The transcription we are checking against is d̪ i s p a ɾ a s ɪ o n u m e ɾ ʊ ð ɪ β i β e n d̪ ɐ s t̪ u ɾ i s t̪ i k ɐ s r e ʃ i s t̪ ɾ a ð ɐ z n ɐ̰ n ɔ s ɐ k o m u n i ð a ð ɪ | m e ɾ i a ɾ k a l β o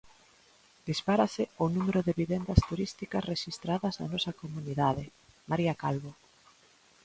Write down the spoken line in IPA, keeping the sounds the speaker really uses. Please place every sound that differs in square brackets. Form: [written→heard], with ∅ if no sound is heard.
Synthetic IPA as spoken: d̪ i s p a ɾ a s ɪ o n u m e ɾ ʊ ð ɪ β i β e n d̪ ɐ s t̪ u ɾ i s t̪ i k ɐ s r e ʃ i s t̪ ɾ a ð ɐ z n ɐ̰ n ɔ s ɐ k o m u n i ð a ð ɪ | m [e→a] ɾ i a [ɾ→∅] k a l β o